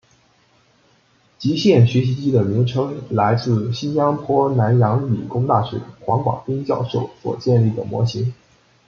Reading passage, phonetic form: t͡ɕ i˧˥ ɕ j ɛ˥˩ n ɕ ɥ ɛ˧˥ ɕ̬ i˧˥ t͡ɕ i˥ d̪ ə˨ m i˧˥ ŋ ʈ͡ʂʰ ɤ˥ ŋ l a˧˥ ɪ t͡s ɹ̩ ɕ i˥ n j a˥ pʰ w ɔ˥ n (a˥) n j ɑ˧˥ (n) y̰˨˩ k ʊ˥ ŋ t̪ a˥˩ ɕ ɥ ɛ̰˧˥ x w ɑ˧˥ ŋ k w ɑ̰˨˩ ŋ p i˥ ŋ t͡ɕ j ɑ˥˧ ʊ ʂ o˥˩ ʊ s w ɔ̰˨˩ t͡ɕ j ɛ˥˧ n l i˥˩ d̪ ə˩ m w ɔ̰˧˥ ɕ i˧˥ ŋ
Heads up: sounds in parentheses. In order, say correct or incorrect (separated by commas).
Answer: incorrect, incorrect